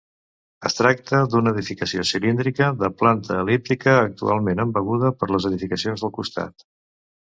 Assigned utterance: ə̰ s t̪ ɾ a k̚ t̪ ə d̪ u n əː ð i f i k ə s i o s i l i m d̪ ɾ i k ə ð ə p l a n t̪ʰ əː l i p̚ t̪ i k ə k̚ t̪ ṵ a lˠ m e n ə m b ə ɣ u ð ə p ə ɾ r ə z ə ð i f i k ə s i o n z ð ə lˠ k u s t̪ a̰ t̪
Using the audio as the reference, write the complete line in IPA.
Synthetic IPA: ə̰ s t̪ ɾ a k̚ t̪ ə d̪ u n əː ð i f i k ə s i o s i l i n d̪ ɾ i k ə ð ə p l a n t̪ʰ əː l i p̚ t̪ i k əː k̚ t̪ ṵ a lˠ m e n ə m b ə ɣ u ð ə p ə ɾ l ə z ə ð i f i k ə s i o n z ð ə lˠ k u s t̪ a̰ t̪